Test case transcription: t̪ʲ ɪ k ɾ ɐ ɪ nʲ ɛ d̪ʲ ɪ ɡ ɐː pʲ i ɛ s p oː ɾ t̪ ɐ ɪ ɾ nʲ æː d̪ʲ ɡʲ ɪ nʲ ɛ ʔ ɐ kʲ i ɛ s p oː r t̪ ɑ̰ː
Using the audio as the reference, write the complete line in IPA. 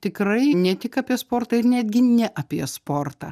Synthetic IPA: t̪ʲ ɪ k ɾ ɐ ɪ nʲ ɛ t̪ʲ ɪ k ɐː pʲ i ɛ s p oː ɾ t̪ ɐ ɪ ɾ nʲ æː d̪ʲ ɡʲ ɪ nʲ ɛ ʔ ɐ pʲ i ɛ s p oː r t̪ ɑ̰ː